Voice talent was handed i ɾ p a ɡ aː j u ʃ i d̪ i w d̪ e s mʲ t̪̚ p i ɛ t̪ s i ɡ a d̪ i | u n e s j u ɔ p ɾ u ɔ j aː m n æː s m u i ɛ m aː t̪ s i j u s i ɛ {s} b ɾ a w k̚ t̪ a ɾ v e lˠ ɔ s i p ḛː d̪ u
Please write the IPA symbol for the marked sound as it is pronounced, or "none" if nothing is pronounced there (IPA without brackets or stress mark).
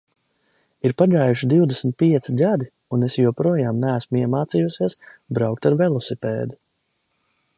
s